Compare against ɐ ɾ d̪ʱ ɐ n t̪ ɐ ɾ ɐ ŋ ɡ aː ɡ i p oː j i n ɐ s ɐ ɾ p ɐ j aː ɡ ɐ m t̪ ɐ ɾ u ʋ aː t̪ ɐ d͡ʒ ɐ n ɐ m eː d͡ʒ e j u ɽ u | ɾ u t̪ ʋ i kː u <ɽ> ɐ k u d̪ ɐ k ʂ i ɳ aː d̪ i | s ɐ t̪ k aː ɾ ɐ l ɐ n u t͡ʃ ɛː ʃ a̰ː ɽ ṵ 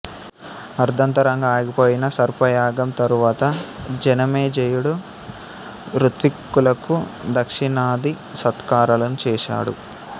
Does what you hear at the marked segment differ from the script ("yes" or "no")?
yes